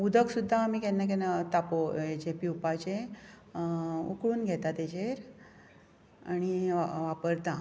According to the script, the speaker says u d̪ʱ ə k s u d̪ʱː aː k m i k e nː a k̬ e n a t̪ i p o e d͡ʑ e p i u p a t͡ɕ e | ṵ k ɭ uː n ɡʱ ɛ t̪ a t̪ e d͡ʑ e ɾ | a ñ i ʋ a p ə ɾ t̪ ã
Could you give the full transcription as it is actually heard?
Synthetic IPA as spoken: u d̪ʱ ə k s u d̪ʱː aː m i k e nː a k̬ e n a t̪ a p o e d͡ʑ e p i u p a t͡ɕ e | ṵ k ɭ uː n ɡʱ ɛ t̪ a t̪ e d͡ʑ e ɾ | a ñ i ʋ a p ə ɾ t̪ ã